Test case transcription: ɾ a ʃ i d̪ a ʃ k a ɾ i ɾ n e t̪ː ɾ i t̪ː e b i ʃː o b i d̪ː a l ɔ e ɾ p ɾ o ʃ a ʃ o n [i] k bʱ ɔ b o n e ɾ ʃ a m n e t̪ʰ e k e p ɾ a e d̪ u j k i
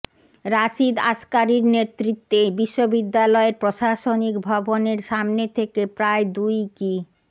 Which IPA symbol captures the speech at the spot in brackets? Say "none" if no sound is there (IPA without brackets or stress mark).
i